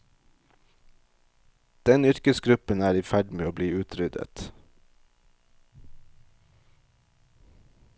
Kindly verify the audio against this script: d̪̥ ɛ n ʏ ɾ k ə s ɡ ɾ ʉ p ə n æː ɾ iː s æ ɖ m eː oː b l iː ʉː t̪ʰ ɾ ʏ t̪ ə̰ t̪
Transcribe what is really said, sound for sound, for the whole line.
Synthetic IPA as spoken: d̪̥ ɛ n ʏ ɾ k ə s ɡ ɾ ʉ p ə n æː ɾ iː f æ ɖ m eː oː b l iː ʉː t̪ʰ ɾ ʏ d̪ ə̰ t̪

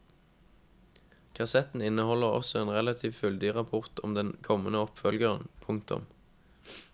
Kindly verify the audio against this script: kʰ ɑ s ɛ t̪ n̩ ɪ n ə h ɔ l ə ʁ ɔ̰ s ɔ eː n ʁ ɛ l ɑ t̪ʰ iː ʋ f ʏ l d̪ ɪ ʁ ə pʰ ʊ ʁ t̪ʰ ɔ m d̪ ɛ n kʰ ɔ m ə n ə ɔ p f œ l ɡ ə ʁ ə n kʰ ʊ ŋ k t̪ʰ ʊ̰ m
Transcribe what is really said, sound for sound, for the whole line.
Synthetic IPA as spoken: kʰ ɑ s ɛ t̪ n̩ ɪ n ə h ɔ l ə ʁ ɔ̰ s ɔ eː n ʁ ɛ l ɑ t̪ʰ iː ʋ f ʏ l d̪ ɪ ʁ ɑ pʰ ʊ ʁ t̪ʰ ɔ m d̪ ɛ n kʰ ɔ m ə n ə ɔ p f œ l ɡ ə ʁ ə n pʰ ʊ ŋ k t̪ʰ ʊ̰ m

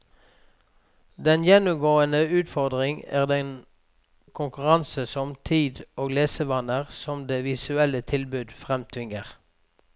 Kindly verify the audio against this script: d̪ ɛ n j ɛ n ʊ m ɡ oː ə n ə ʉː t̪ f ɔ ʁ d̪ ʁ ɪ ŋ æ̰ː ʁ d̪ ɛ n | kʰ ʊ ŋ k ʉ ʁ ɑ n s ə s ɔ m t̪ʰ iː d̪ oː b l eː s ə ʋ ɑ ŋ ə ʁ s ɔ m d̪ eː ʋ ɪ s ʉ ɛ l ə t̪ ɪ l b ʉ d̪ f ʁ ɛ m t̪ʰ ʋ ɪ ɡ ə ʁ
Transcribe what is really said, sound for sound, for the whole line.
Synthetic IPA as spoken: d̪ ɛ n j ɛ n ʊ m ɡ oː ə n ə ʉː t̪ f ɔ ʁ d̪ ʁ ɪ ŋ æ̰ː ʁ d̪ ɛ n | kʰ ʊ ŋ k ʉ ʁ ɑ n s ə s ɔ m t̪ʰ iː d̪ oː ɡ l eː s ə ʋ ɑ n ə ʁ s ɔ m d̪ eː ʋ ɪ s ʉ ɛ l ə t̪ʰ ɪ l b ʉ d̪ f ʁ ɛ m t̪ʰ ʋ ɪ ŋ ə ʁ

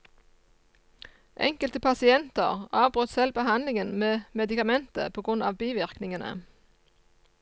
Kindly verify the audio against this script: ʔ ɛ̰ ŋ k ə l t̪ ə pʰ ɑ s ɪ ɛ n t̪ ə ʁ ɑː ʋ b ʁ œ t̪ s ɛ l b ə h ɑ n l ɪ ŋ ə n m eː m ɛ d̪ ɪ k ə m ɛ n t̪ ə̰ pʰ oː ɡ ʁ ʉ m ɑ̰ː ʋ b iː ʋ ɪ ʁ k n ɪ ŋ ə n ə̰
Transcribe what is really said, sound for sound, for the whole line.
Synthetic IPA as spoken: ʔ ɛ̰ ŋ k ə l t̪ ə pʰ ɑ s ɪ ɛ n t̪ ə ʁ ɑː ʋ b ʁ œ t̪ s ɛ l b ə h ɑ n l ɪ ŋ ə n m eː m ɛ d̪ ɪ k ɑ m ɛ n t̪ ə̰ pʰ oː ɡ ʁ ʉ n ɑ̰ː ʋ b iː ʋ ɪ ʁ k n ɪ ŋ ə n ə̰

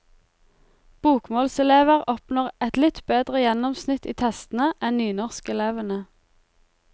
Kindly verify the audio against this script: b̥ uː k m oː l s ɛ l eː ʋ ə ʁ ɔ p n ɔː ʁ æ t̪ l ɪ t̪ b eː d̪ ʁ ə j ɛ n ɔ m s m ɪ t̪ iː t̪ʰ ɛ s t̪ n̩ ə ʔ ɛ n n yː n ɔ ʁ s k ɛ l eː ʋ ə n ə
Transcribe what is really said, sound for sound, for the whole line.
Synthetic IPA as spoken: b̥ uː k m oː l s ɛ l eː ʋ ə ʁ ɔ p n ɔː ʁ ɛ t̪ l ɪ t̪ b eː d̪ ʁ ə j ɛ n ɔ m s n ɪ t̪ iː t̪ʰ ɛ s t̪ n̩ ə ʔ ɛ n n yː n ɔ ʁ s k ɛ l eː ʋ ə n ə

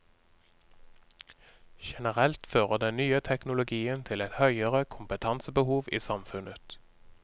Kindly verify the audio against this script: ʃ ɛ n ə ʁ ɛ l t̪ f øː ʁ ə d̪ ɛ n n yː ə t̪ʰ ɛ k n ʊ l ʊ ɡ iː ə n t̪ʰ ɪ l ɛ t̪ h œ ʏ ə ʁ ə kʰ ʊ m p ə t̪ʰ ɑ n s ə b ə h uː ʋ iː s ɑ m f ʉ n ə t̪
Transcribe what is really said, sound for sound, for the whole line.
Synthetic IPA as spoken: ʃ ɛ n ə ʁ ɛ l t̪ f øː ʁ ə d̪ ɛ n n yː ə t̪ʰ ɛ k n ʊ l ʊ ɡ iː ə n t̪ʰ ɪ l ɛ t̪ h œ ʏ ə ʁ ə kʰ ʊ m p ə t̪ʰ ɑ n s ə b ə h uː ʋ iː s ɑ m f ʉ n ə t̪

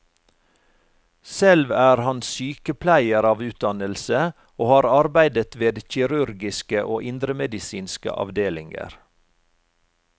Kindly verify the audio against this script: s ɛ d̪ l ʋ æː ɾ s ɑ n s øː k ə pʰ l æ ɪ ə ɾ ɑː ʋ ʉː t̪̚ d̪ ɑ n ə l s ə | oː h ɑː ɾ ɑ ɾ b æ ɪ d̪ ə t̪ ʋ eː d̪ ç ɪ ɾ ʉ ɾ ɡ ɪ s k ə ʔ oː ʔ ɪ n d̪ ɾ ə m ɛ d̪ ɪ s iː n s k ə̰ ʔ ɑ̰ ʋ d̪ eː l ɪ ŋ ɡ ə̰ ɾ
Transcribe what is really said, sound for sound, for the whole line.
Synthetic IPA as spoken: s ɛ l ʋ æː ɾ h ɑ n s yː k ə pʰ l æ ɪ ə ɾ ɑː ʋ ʉː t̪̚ d̪ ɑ n ə l s ə | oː h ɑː ɾ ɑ ɾ b æ ɪ d̪ ə t̪ ʋ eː d̪ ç ɪ ɾ ʉ ɾ ɡ ɪ s k ə ʔ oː ʔ ɪ n d̪ ɾ ə m ɛ d̪ ɪ s iː n s k ə̰ ʔ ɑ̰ ʋ d̪ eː l ɪ ŋ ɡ ə̰ ɾ

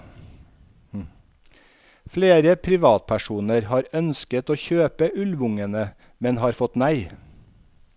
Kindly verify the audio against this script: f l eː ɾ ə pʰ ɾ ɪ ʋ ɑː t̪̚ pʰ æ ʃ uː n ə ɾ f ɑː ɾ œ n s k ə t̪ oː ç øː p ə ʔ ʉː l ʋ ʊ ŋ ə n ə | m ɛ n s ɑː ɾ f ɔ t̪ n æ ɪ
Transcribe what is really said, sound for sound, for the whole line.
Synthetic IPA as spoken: f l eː ɾ ə pʰ ɾ ɪ ʋ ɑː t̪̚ pʰ æ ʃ uː n ə ɾ h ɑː ɾ œ n s k ə t̪ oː ç øː p ə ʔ ʉ l ʋ ʊ ŋ ə n ə | m ɛ n h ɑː ɾ f ɔ t̪ n æ ɪ

